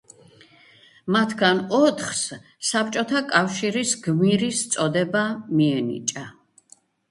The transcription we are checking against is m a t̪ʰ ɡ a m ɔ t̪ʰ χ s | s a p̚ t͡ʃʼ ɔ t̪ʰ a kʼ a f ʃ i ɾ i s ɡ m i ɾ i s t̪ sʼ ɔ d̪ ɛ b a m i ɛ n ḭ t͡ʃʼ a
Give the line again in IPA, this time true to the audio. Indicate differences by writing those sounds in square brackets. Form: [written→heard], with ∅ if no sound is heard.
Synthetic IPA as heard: m a t̪ʰ ɡ a [m→n] ɔ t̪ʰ χ s | s a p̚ t͡ʃʼ ɔ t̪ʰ a kʼ a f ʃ i ɾ i s ɡ m i ɾ i s t̪ sʼ ɔ d̪ ɛ b a m i ɛ n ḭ t͡ʃʼ a

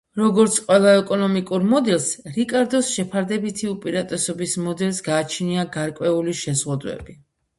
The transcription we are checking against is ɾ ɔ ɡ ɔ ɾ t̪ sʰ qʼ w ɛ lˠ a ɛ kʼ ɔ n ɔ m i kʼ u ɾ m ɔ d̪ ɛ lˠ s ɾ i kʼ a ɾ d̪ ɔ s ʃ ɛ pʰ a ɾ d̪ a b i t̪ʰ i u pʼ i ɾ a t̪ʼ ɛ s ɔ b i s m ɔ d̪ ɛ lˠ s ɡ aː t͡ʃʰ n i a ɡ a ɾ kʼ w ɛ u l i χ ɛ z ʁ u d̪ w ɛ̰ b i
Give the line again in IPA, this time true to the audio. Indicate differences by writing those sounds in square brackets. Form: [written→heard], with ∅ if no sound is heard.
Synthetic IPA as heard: ɾ ɔ ɡ ɔ ɾ t̪ sʰ qʼ w ɛ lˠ a ɛ kʼ ɔ n ɔ m i kʼ u ɾ m ɔ d̪ ɛ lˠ s ɾ i kʼ a ɾ d̪ ɔ s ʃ ɛ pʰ a ɾ d̪ [a→ɛ] b i t̪ʰ i u pʼ i ɾ a t̪ʼ ɛ s ɔ b i s m ɔ d̪ ɛ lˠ s ɡ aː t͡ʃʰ n i a ɡ a ɾ kʼ w ɛ u l i [χ→ʃ] ɛ z ʁ u d̪ w ɛ̰ b i

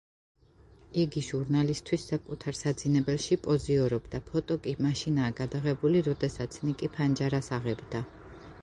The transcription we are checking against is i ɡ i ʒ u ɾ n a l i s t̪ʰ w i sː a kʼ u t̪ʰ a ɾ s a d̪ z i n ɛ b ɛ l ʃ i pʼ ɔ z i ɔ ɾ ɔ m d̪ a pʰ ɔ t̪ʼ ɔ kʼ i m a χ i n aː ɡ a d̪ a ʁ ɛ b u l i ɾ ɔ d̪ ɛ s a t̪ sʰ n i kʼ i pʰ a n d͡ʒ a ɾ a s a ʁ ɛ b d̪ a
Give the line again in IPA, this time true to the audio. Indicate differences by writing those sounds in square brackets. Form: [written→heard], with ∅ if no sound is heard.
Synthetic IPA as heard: i ɡ i ʒ u ɾ n a l i s t̪ʰ w i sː a kʼ u t̪ʰ a ɾ s a d̪ z i n ɛ b ɛ l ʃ i pʼ ɔ z i ɔ ɾ ɔ [m→b] d̪ a pʰ ɔ t̪ʼ ɔ kʼ i m a [χ→ʃ] i n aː ɡ a d̪ a ʁ ɛ b u l i ɾ ɔ d̪ ɛ s a t̪ sʰ n i kʼ i pʰ a n d͡ʒ a ɾ a s a ʁ ɛ b d̪ a

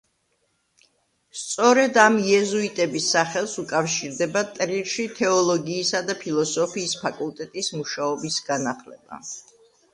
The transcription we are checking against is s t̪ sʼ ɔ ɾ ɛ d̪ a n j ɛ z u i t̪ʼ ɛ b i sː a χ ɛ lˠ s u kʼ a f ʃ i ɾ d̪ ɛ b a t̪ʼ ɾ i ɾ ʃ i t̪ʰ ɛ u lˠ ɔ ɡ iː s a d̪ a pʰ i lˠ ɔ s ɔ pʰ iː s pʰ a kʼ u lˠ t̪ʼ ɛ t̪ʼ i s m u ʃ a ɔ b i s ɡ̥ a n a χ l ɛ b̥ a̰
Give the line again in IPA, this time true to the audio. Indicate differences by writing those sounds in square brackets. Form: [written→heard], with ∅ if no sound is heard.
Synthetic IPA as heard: s t̪ sʼ ɔ ɾ ɛ d̪ a [n→m] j ɛ z u i t̪ʼ ɛ b i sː a χ ɛ lˠ s u kʼ a f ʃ i ɾ d̪ ɛ b a t̪ʼ ɾ i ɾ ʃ i t̪ʰ ɛ [u→ɔ] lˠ ɔ ɡ iː s a d̪ a pʰ i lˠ ɔ s ɔ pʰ iː s pʰ a kʼ u lˠ t̪ʼ ɛ t̪ʼ i s m u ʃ a ɔ b i s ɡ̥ a n a χ l ɛ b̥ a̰

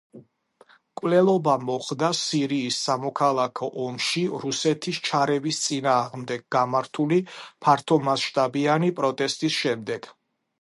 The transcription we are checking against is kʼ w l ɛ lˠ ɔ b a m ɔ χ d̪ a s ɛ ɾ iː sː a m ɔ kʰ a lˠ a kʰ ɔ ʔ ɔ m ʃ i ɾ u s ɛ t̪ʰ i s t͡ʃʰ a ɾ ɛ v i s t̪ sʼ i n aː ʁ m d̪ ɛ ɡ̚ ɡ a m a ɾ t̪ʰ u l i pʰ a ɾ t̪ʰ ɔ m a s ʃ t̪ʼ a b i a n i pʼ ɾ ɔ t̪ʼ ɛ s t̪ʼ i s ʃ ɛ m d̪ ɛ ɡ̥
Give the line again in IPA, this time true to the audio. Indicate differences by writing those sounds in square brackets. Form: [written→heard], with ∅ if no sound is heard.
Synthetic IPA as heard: kʼ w l ɛ lˠ ɔ b a m ɔ χ d̪ a s [ɛ→i] ɾ iː sː a m ɔ kʰ a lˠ a kʰ ɔ ʔ ɔ m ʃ i ɾ u s ɛ t̪ʰ i s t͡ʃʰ a ɾ ɛ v i s t̪ sʼ i n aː ʁ m d̪ ɛ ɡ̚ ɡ a m a ɾ t̪ʰ u l i pʰ a ɾ t̪ʰ ɔ m a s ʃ t̪ʼ a b i a n i pʼ ɾ ɔ t̪ʼ ɛ s t̪ʼ i s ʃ ɛ m d̪ ɛ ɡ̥

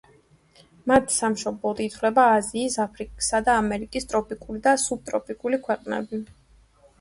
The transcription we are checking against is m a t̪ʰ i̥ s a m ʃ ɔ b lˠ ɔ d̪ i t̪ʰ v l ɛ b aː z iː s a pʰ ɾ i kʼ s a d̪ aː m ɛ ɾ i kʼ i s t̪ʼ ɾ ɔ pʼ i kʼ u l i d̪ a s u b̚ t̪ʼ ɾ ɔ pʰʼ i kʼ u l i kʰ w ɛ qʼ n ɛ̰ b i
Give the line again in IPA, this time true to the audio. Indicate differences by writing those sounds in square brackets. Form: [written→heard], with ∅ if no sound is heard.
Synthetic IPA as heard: m a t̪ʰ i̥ s a m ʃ ɔ b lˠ ɔ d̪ i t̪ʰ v l ɛ b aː z iː s a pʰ ɾ i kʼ s a d̪ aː m ɛ ɾ i kʼ i s t̪ʼ ɾ ɔ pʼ i kʼ u l i d̪ a s u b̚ t̪ʼ ɾ ɔ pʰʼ i kʼ u l i kʰ w ɛ qʼ n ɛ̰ b i

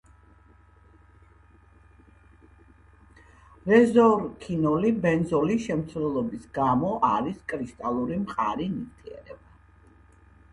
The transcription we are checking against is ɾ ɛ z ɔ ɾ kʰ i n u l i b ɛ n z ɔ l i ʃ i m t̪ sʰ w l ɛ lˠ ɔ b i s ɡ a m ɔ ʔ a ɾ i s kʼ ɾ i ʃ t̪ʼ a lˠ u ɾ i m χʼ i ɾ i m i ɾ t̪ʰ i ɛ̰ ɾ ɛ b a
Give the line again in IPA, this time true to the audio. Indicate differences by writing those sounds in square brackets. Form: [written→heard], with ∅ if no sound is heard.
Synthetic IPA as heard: ɾ ɛ z ɔ ɾ kʰ i n [u→ɔ] l i b ɛ n z ɔ l i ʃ [i→ɛ] m t̪ sʰ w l ɛ lˠ ɔ b i s ɡ a m ɔ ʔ a ɾ i s kʼ ɾ i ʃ t̪ʼ a lˠ u ɾ i m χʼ [i→a] ɾ i [m→n] i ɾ t̪ʰ i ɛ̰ ɾ ɛ b a

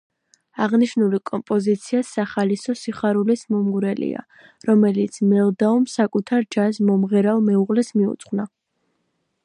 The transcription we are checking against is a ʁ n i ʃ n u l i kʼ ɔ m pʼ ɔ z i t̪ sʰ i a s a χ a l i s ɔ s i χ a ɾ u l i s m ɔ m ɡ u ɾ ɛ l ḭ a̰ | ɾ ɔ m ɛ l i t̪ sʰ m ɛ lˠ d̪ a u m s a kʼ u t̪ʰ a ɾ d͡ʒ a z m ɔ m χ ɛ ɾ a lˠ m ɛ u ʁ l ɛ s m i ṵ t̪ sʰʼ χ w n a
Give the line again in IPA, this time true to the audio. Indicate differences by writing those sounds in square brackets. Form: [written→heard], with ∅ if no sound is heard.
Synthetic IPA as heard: a ʁ n i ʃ n u l i kʼ ɔ m pʼ ɔ z i t̪ sʰ i a s a χ a l i s ɔ s i χ a ɾ u l i s m ɔ m ɡ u ɾ ɛ l ḭ a̰ | ɾ ɔ m ɛ l i t̪ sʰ m ɛ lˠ d̪ a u m s a kʼ u t̪ʰ a ɾ d͡ʒ a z m ɔ m [χ→ʁ] ɛ ɾ a lˠ m ɛ u ʁ l ɛ s m i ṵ t̪ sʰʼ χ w n a

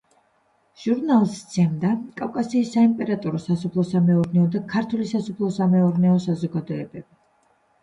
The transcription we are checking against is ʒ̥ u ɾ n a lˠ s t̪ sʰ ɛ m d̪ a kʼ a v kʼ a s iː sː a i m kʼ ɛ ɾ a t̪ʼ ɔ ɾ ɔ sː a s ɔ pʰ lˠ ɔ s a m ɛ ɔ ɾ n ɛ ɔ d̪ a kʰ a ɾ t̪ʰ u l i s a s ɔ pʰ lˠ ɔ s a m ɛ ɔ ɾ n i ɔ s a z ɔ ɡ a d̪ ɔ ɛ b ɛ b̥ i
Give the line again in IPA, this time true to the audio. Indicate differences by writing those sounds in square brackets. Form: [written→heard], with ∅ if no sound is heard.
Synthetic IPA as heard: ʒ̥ u ɾ n a lˠ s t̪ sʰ ɛ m d̪ a kʼ a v kʼ a s iː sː a i m [kʼ→pʼ] ɛ ɾ a t̪ʼ ɔ ɾ ɔ [sː→s] a s ɔ pʰ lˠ ɔ s a m ɛ ɔ ɾ n ɛ ɔ d̪ a kʰ a ɾ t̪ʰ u l i s a s ɔ pʰ lˠ ɔ s a m ɛ ɔ ɾ n [i→ɛ] ɔ s a z ɔ ɡ a d̪ ɔ ɛ b ɛ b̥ i

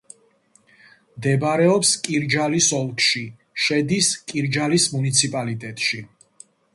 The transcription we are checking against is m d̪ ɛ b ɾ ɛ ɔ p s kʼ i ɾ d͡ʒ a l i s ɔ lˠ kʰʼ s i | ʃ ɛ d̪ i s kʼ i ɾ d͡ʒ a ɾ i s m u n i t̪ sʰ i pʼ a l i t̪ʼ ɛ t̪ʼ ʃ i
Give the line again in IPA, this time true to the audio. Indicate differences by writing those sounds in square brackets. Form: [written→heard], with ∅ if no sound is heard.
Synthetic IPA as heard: m d̪ ɛ b ɾ ɛ ɔ p s kʼ i ɾ d͡ʒ a l i s ɔ lˠ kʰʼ [s→ʃ] i | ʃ ɛ d̪ i s kʼ i ɾ d͡ʒ a [ɾ→l] i s m u n i t̪ sʰ i pʼ a l i t̪ʼ ɛ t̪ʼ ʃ i

